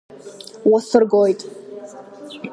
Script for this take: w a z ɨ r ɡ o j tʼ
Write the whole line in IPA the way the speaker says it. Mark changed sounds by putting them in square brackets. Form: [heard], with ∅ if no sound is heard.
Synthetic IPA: w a [s] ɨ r ɡ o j tʼ